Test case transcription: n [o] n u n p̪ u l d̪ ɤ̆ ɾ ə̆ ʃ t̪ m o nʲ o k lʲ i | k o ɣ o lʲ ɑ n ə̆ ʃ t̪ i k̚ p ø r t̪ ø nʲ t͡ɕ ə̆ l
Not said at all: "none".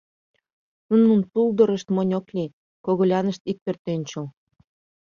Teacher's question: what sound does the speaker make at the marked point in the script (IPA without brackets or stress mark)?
u